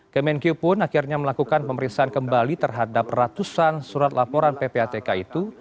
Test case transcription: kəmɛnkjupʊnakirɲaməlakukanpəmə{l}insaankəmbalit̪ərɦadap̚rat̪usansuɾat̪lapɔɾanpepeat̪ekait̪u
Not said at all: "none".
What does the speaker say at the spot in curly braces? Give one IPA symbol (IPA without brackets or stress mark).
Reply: ɾ